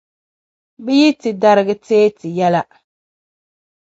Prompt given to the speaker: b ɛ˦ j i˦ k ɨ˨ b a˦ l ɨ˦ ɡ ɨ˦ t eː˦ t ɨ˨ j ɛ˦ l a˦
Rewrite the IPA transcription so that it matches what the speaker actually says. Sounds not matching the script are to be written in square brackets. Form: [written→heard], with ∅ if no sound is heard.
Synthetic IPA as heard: b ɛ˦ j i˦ [k→t] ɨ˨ [b→d] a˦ [l→ɾ] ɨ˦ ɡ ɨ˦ t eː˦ t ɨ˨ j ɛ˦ l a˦